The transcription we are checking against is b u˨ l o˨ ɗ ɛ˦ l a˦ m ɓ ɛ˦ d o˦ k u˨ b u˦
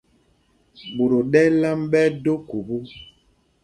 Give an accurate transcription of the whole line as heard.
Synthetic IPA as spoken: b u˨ ɾ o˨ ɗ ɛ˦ l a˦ m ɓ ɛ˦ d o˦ k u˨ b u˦